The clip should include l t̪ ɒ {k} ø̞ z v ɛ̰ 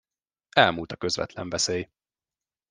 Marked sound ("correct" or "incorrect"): correct